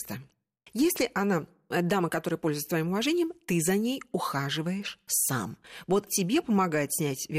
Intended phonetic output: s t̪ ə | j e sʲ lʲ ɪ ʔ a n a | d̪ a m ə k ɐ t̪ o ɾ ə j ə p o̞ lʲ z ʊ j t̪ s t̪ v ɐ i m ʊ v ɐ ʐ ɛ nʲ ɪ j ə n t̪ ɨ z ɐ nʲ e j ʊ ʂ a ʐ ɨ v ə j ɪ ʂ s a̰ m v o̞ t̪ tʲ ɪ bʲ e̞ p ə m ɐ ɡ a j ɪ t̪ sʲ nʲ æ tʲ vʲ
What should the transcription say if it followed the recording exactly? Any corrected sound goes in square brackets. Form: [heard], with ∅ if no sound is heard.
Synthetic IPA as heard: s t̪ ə | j e sʲ lʲ ɪ ʔ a n a | d̪ a m ə k ɐ t̪ o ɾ ə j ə p o̞ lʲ z ʊ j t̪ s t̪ v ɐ i m ʊ v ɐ ʐ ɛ nʲ ɪ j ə [m] t̪ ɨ z ɐ nʲ e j ʊ [x] a ʐ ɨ v ə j ɪ ʂ s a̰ m v o̞ t̪ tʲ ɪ bʲ e̞ p ə m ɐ ɡ a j ɪ t̪ sʲ nʲ æ tʲ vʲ